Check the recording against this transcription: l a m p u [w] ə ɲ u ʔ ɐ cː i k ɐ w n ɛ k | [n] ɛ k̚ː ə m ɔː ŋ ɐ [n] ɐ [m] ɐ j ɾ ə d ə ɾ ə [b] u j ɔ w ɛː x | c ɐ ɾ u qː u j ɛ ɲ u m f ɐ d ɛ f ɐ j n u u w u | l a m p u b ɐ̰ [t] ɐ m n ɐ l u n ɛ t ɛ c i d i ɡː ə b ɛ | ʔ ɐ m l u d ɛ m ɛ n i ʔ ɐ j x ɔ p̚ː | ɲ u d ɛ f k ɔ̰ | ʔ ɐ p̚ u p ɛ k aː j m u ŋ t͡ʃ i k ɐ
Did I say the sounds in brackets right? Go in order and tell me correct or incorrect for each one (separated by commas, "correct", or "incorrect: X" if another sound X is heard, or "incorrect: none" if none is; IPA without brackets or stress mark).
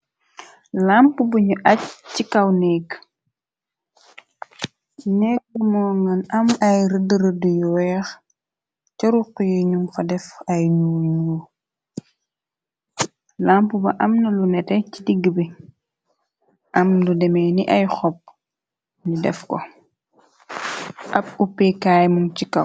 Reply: incorrect: b, correct, correct, correct, incorrect: d, incorrect: ʔ